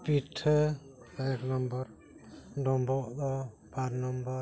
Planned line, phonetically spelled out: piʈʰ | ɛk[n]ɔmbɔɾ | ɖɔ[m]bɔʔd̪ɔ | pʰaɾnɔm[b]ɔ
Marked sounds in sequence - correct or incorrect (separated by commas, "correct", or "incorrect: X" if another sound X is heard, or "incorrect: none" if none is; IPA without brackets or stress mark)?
correct, correct, correct